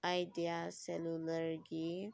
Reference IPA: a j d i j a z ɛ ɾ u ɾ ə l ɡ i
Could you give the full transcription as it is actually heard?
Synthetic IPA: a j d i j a s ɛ l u l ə ɾ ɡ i